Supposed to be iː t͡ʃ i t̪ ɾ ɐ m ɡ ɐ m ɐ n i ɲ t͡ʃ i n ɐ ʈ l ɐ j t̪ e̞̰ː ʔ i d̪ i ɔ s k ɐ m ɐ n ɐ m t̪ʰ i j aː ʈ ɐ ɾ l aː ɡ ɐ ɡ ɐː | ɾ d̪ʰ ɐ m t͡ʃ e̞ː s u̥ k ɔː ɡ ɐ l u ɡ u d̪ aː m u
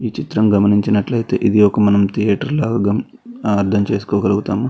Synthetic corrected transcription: iː t͡ʃ i t̪ ɾ ɐ m ɡ ɐ m ɐ n i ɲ t͡ʃ i n ɐ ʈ l ɐ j t̪ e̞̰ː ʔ i d̪ i ɔ k ɐ m ɐ n ɐ m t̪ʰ i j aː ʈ ɐ ɾ l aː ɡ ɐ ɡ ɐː | ɾ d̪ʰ ɐ m t͡ʃ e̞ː s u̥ k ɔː ɡ ɐ l u ɡ u t̪ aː m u